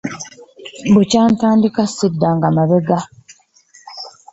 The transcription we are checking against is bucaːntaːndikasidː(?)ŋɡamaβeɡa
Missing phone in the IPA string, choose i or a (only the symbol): a